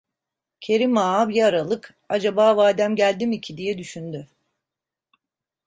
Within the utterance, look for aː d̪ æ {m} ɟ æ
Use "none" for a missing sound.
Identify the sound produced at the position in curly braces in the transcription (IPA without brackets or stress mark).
m